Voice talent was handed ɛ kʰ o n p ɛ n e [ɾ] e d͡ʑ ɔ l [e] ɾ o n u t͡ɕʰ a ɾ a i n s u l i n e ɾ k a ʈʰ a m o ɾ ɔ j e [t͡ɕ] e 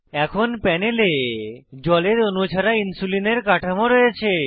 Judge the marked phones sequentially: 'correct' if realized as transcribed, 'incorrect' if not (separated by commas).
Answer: incorrect, correct, incorrect